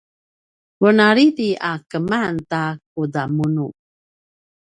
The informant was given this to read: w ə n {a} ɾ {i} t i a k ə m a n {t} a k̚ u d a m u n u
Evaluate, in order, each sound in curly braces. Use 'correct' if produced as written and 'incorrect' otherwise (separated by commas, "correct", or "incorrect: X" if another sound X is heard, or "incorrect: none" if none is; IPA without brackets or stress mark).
correct, correct, correct